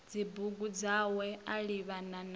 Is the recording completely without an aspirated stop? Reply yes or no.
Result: yes